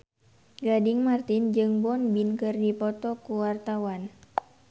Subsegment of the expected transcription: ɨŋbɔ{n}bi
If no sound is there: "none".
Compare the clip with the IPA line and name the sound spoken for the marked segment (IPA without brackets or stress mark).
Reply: n